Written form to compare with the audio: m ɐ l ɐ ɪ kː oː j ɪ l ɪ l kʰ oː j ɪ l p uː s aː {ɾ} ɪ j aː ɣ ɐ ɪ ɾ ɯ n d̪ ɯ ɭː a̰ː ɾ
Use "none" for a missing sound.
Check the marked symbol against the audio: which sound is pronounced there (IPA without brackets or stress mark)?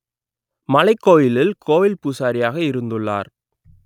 ɾ